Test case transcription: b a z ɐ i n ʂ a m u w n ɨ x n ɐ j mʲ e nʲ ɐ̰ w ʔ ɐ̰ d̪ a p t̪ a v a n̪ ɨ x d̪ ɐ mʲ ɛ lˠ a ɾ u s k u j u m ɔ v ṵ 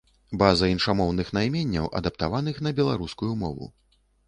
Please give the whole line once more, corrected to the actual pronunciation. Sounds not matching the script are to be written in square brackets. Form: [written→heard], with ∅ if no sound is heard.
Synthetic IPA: b a z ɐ i n ʂ a m [u→ɔ] w n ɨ x n [ɐ→a] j mʲ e [nʲ→nʲː] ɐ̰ w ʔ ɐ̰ d̪ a p t̪ a v a n̪ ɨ x [d̪→n̪] ɐ [mʲ→bʲ] ɛ lˠ a ɾ u s k u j u m ɔ v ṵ